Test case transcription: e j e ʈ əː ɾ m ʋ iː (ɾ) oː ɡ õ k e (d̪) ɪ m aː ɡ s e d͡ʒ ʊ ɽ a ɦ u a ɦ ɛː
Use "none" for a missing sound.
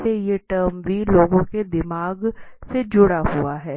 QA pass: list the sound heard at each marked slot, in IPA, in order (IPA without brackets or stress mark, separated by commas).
l, d̪